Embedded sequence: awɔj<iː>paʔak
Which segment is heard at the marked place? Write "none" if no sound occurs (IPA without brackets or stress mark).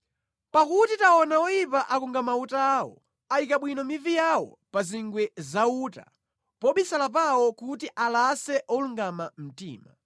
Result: i